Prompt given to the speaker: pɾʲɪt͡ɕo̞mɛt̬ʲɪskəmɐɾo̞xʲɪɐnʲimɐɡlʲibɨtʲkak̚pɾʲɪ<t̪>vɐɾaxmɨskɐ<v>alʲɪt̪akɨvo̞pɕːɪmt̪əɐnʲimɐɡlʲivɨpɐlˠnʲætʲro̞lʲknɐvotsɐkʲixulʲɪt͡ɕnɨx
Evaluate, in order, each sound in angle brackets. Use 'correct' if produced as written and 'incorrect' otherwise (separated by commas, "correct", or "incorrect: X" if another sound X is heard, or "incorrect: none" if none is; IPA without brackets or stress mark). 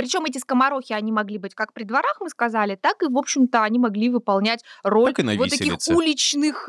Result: incorrect: d̪, incorrect: z